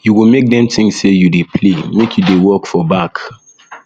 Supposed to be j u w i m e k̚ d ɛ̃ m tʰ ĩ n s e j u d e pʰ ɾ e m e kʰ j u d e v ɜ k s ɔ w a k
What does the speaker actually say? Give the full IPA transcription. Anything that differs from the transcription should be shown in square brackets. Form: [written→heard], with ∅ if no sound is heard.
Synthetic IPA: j u w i m e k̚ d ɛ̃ m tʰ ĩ [n→ŋ] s e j u d e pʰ [ɾ→l] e m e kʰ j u d e [v→w] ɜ k [s→f] ɔ [w→b] a k